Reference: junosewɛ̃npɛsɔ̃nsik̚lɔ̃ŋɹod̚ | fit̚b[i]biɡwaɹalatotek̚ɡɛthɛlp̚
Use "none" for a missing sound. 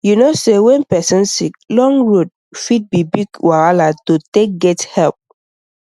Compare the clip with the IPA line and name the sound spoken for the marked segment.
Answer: i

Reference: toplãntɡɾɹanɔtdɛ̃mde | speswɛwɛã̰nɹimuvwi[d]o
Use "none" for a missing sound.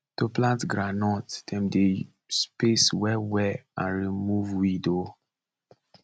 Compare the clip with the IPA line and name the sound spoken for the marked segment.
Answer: d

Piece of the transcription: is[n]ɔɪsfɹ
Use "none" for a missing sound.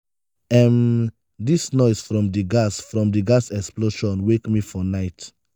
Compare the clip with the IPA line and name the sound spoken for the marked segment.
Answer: n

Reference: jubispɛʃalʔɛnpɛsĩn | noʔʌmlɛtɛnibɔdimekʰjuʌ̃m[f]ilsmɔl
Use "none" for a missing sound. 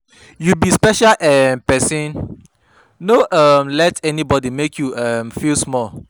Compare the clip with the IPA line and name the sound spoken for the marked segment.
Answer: f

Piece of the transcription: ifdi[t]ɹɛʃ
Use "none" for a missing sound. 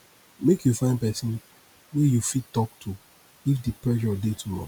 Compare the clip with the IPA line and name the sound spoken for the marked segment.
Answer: p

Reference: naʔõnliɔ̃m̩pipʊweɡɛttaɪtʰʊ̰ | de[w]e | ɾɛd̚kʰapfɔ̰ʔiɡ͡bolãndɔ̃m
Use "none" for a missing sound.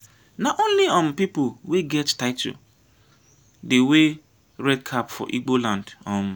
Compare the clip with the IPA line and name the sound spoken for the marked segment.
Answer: w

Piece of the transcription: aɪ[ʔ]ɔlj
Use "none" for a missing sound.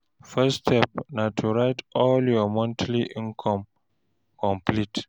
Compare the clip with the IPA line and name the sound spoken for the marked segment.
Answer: t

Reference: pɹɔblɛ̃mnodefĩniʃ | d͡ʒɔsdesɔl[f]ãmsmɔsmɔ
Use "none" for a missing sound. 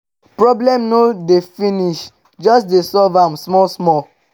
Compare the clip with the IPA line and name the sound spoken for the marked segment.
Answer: v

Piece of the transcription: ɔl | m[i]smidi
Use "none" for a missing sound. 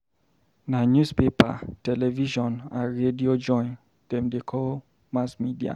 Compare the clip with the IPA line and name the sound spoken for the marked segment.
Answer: a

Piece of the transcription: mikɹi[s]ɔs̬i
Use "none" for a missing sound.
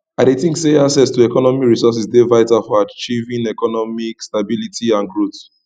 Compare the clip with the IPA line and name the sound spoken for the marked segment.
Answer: s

